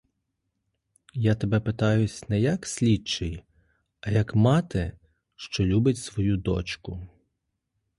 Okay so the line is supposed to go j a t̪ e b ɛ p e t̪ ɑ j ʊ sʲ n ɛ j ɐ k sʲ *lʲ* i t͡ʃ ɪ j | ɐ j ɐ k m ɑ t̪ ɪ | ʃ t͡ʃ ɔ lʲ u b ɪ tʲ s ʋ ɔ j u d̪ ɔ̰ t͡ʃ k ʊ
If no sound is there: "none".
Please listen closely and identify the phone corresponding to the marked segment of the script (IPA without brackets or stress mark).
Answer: lʲ